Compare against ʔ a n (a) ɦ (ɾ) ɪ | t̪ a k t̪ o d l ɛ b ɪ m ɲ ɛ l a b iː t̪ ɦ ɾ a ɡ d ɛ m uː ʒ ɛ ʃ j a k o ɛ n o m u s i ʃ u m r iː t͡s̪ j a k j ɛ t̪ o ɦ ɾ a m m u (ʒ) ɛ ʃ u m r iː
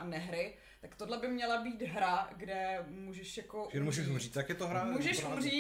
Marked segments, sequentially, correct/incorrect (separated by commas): incorrect, correct, correct